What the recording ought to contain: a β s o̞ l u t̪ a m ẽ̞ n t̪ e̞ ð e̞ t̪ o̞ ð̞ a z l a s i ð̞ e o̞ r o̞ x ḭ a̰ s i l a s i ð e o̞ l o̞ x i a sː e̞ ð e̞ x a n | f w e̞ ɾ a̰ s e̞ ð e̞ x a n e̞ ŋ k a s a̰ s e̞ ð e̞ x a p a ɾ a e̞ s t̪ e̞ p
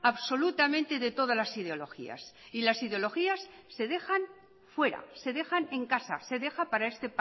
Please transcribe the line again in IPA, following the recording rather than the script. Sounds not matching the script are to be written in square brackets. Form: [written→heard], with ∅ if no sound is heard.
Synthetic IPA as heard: a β s o̞ l u t̪ a m ẽ̞ n t̪ e̞ ð e̞ t̪ o̞ ð̞ a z l a s i ð̞ e o̞ [r→l] o̞ x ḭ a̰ s i l a s i ð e o̞ l o̞ x i a sː e̞ ð e̞ x a n | f w e̞ ɾ a̰ s e̞ ð e̞ x a n e̞ ŋ k a s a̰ s e̞ ð e̞ x a p a ɾ a e̞ s t̪ e̞ p

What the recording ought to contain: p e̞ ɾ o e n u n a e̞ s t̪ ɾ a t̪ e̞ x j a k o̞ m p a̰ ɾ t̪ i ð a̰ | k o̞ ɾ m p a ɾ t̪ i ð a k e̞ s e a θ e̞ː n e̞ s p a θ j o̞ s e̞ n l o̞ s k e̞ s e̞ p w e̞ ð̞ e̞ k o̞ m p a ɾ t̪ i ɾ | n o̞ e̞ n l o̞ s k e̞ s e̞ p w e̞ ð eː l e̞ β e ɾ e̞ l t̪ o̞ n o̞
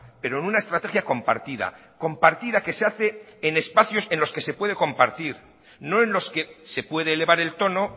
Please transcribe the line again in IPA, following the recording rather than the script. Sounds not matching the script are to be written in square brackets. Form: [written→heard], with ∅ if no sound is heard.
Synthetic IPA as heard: p e̞ ɾ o e n u n a e̞ s t̪ ɾ a t̪ e̞ x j a k o̞ m p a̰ ɾ t̪ i ð a̰ | k o̞ [ɾ→∅] m p a ɾ t̪ i ð a k e̞ s e a θ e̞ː n e̞ s p a θ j o̞ s e̞ n l o̞ s k e̞ s e̞ p w e̞ ð̞ e̞ k o̞ m p a ɾ t̪ i ɾ | n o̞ e̞ n l o̞ s k e̞ s e̞ p w e̞ ð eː l e̞ β [e→a] ɾ e̞ l t̪ o̞ n o̞

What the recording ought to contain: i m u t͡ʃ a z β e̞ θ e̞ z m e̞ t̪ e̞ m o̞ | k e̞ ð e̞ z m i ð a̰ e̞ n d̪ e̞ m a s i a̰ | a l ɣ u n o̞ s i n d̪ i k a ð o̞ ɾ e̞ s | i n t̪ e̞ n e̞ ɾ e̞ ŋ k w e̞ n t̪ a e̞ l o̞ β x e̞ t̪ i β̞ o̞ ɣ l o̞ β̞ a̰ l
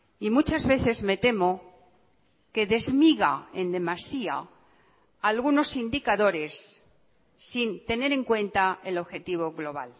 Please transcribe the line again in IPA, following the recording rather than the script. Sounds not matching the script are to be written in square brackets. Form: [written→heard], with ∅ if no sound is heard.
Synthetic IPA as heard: i m u t͡ʃ a z β e̞ θ e̞ z m e̞ t̪ e̞ m o̞ | k e̞ ð e̞ z m i [ð→ɣ] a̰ e̞ n d̪ e̞ m a s i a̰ | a l ɣ u n o̞ s i n d̪ i k a ð o̞ ɾ e̞ [s→sː] | i n t̪ e̞ n e̞ ɾ e̞ ŋ k w e̞ n t̪ a e̞ l o̞ β x e̞ t̪ i β̞ o̞ ɣ l o̞ β̞ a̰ l

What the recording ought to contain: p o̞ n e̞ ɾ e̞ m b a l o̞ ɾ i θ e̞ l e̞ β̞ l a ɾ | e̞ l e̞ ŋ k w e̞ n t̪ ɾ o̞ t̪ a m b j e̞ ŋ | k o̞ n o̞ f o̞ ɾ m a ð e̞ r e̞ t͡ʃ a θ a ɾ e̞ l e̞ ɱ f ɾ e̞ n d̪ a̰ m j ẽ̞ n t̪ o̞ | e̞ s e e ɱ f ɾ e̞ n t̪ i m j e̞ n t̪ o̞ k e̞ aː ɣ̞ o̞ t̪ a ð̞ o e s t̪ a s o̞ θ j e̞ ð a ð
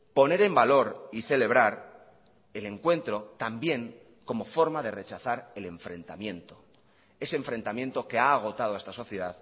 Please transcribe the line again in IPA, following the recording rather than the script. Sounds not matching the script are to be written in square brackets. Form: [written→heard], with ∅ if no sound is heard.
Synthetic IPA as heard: p o̞ n e̞ ɾ e̞ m b a l o̞ ɾ i θ e̞ l e̞ β̞ [l→ɾ] a ɾ | e̞ l e̞ ŋ k w e̞ n t̪ ɾ o̞ t̪ a m b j e̞ ŋ | k o̞ [n→m] o̞ f o̞ ɾ m a ð e̞ r e̞ t͡ʃ a θ a ɾ e̞ l e̞ ɱ f ɾ e̞ n [d̪→t̪] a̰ m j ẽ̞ n t̪ o̞ | e̞ s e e ɱ f ɾ e̞ n t̪ [i→a] m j e̞ n t̪ o̞ k e̞ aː ɣ̞ o̞ t̪ a ð̞ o e s t̪ a s o̞ θ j e̞ ð a ð

